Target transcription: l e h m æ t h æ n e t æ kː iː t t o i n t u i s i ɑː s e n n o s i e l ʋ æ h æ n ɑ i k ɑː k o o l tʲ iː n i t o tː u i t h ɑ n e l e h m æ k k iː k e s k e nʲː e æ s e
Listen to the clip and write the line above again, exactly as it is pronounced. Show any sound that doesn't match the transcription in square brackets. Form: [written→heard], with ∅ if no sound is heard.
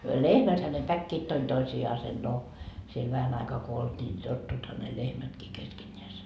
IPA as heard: l e h m æ t h æ n e [t→p] æ kː iː t t o i n t [u→o] i s i ɑː s e n n o s i e l ʋ æ h æ n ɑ i k ɑː k o o l tʲ iː n i t o tː u i t h ɑ n e l e h m æ [k→t] k iː k e s k e nʲː e æ s e